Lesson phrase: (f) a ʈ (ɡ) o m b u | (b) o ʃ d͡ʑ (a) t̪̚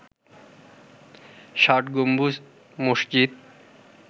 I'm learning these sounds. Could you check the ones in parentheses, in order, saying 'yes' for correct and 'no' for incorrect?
no, yes, no, no

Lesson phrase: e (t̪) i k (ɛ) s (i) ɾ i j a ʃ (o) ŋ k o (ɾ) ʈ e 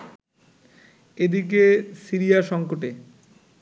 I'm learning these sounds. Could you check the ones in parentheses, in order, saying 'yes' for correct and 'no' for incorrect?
no, no, yes, no, no

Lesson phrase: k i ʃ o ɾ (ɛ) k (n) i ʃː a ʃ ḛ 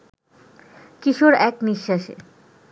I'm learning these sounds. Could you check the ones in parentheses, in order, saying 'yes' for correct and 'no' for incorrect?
yes, yes

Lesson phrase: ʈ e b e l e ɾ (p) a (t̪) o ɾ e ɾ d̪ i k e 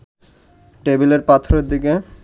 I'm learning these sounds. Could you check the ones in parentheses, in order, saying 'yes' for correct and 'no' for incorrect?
yes, no

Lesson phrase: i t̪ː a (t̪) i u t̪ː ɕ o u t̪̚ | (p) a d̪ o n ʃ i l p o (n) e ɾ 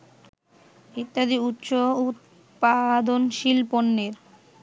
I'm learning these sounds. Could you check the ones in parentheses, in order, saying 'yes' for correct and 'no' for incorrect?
no, yes, no

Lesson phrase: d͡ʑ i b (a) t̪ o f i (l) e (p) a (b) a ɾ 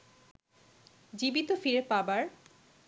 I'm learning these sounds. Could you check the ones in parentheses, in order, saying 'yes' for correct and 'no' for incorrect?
no, no, yes, yes

